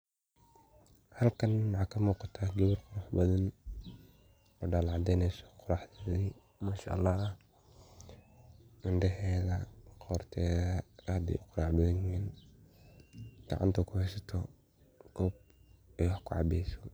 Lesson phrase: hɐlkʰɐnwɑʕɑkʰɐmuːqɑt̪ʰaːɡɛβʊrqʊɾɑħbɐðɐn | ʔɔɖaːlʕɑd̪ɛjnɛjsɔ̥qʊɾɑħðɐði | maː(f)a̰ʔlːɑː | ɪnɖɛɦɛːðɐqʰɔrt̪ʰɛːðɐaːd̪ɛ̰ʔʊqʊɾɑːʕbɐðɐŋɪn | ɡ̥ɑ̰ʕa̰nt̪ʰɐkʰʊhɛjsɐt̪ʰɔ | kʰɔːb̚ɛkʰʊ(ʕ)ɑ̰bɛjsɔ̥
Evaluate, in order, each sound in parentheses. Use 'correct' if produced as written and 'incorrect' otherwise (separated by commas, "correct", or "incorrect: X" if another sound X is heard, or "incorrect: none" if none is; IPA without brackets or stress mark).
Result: incorrect: ʃ, correct